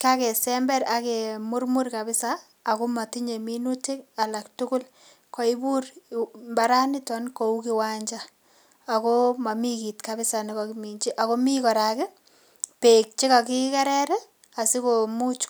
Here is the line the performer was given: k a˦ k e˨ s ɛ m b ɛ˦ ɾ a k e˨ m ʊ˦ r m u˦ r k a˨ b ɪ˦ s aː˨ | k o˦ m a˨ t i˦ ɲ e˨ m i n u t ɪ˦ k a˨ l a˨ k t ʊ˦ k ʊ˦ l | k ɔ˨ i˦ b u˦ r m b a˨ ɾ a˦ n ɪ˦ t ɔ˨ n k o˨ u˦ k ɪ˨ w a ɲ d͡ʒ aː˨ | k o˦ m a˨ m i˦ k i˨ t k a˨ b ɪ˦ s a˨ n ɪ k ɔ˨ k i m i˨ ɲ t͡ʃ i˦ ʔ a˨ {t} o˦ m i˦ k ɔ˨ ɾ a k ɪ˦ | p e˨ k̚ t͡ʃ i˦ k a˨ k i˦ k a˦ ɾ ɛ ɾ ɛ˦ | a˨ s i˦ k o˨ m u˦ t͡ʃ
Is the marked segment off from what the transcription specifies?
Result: yes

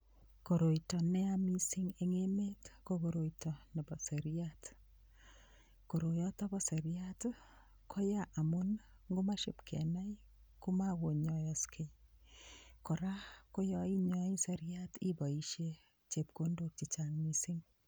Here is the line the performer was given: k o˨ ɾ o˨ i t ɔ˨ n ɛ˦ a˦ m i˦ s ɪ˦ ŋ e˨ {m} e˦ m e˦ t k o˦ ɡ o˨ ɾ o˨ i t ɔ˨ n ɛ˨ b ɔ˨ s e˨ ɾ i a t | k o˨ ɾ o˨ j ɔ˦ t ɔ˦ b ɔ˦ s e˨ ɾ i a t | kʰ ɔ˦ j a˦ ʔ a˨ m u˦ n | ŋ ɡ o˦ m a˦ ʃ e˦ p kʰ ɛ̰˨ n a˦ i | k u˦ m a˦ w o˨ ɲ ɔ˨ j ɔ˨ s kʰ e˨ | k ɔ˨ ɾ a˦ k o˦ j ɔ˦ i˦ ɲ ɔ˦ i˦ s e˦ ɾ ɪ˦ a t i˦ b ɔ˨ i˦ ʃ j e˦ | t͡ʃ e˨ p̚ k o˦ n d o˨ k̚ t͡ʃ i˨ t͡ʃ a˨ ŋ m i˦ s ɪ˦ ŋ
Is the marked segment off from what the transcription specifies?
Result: yes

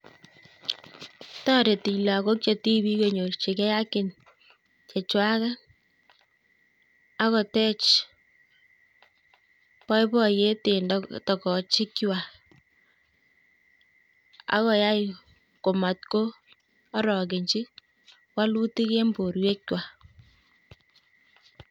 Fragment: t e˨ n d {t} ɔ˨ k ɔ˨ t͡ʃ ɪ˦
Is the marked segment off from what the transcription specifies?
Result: no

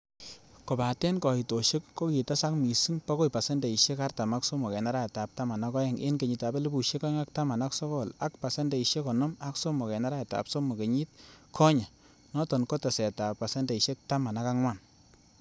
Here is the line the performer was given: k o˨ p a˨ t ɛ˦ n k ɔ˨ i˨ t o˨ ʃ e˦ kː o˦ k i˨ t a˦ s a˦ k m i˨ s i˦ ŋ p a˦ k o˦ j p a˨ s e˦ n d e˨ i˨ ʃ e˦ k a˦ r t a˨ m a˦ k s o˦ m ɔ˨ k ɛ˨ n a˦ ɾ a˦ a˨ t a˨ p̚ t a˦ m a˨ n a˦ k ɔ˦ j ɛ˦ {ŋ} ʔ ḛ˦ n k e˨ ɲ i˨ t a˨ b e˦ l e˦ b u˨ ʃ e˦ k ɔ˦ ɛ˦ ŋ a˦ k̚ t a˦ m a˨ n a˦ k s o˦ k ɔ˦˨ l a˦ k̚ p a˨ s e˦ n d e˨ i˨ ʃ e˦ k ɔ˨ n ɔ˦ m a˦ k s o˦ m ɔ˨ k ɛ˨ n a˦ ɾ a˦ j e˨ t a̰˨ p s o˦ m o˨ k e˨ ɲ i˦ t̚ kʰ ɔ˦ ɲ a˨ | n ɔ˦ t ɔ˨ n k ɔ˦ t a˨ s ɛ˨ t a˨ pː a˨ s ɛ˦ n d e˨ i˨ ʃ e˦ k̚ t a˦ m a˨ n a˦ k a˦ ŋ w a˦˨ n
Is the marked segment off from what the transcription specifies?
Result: no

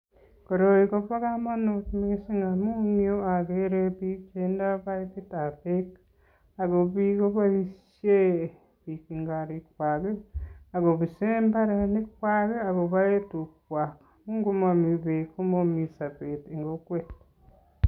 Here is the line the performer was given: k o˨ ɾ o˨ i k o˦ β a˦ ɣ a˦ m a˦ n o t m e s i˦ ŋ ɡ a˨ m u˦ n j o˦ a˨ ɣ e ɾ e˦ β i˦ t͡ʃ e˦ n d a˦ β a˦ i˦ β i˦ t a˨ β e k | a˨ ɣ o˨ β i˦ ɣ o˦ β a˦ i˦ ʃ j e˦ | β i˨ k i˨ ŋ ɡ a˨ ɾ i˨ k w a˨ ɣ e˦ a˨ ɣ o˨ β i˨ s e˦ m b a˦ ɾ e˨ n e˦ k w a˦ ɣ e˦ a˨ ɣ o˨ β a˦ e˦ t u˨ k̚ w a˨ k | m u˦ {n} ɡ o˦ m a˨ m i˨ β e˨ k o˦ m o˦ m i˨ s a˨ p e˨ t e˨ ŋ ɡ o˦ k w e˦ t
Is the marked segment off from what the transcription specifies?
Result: yes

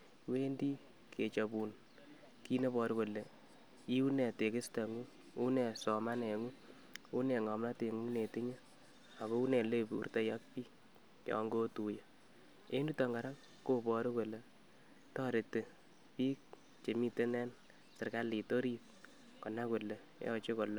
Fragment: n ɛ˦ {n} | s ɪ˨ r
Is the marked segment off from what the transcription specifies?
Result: no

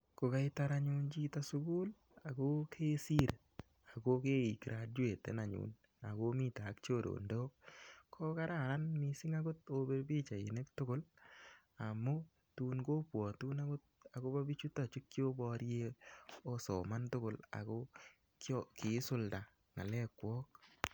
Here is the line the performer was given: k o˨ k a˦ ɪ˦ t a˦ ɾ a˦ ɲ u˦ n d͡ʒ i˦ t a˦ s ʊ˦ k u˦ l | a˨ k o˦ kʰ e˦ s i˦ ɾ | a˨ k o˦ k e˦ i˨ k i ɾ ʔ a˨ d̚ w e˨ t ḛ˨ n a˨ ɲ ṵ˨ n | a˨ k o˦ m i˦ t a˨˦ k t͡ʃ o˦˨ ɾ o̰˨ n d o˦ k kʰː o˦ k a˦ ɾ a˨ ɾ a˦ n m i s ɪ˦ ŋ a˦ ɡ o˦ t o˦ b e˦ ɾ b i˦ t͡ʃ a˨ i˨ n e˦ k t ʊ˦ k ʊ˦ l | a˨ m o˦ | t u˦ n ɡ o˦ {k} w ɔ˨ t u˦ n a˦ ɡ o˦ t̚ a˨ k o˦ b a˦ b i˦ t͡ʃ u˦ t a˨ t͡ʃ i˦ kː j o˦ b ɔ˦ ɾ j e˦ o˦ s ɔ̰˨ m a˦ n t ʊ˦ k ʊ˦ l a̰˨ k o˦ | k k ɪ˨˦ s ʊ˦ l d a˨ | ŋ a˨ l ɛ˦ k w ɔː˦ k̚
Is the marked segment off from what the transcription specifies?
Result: yes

